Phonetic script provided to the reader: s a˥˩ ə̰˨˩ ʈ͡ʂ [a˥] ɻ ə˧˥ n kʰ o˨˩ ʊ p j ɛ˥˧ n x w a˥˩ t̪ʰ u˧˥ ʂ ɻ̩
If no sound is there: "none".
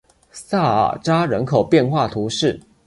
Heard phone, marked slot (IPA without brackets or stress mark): a˥